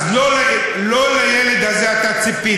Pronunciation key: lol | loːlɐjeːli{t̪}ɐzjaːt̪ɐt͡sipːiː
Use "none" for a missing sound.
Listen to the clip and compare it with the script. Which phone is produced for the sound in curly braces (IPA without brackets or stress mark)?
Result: d̪